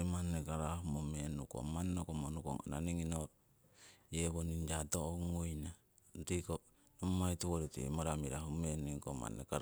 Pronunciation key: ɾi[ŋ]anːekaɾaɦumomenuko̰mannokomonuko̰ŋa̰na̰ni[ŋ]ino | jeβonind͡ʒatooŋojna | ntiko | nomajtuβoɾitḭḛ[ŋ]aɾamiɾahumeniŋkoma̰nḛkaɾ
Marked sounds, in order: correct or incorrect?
incorrect: m, correct, incorrect: m

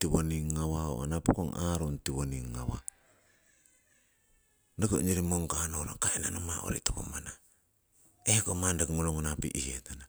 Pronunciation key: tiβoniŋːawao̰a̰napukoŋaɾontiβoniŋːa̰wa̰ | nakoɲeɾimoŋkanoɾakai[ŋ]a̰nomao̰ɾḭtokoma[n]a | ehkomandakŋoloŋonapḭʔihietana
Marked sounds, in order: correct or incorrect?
incorrect: n, correct

